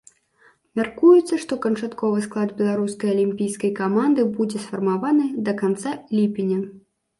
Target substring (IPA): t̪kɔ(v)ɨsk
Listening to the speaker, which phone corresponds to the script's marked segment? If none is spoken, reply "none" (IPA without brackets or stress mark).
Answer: v